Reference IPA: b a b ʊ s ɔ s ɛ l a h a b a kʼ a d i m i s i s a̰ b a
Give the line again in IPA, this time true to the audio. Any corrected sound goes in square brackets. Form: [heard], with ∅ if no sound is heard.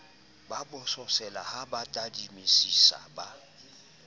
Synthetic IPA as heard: b a b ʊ s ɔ s ɛ l a h a b a [tʼ] a d i m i s i s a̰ b a